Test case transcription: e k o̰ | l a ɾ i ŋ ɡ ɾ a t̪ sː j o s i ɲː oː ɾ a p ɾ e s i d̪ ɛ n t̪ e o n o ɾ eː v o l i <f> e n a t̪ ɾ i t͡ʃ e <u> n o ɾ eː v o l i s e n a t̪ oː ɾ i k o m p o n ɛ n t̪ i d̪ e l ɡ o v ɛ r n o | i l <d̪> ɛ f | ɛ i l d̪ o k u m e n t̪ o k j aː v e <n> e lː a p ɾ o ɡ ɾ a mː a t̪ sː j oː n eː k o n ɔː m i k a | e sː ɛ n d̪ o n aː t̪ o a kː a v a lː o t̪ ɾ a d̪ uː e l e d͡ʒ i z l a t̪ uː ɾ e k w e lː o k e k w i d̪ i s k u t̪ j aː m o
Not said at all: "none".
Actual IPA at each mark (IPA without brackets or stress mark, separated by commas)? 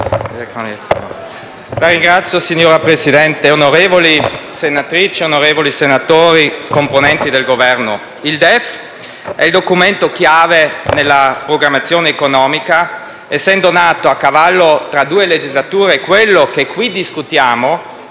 s, o, d̪, n